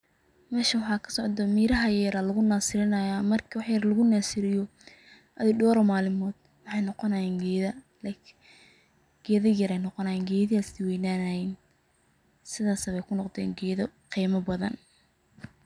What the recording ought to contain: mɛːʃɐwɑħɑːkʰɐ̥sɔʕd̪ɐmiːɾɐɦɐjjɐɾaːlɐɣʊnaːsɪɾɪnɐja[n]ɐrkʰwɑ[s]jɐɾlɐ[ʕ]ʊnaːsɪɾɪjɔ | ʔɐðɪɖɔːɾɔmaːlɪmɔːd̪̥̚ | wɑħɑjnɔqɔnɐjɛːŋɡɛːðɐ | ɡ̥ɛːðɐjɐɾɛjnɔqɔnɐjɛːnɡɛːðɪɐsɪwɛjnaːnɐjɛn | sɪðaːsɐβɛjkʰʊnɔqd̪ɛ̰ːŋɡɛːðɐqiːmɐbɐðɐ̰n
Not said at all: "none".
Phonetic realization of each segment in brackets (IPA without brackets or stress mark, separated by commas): m, ħ, ɣ